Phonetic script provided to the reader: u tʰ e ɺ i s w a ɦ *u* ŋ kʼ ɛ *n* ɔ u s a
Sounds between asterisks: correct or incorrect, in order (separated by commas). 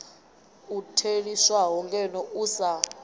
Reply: incorrect, correct